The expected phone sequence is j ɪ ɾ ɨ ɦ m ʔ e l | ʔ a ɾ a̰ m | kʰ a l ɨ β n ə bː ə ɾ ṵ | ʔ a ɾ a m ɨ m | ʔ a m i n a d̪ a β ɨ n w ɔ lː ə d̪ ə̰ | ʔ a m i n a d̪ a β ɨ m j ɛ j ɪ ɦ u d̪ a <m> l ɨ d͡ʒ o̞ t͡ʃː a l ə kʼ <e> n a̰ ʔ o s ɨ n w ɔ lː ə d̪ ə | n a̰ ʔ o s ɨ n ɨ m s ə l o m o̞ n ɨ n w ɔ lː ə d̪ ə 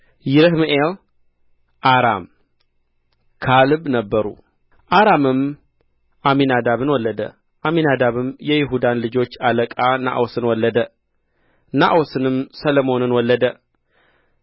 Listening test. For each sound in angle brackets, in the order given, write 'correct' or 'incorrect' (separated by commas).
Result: incorrect, incorrect